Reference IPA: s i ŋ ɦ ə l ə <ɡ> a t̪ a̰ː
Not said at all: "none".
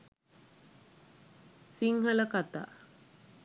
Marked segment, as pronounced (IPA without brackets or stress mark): k